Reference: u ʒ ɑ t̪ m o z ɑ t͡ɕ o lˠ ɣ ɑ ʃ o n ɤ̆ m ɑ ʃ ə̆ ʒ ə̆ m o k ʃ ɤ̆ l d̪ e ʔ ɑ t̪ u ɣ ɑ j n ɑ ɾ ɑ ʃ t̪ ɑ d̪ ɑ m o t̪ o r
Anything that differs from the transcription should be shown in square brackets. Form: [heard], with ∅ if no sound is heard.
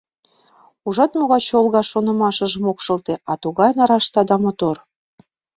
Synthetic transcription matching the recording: u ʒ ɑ t̪ m o [ɣ] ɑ t͡ɕ o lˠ ɣ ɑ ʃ o n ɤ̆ m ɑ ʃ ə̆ ʒ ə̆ m o k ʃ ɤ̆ l [t̪] e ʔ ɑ t̪ u ɣ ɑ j n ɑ ɾ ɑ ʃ t̪ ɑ d̪ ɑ m o t̪ o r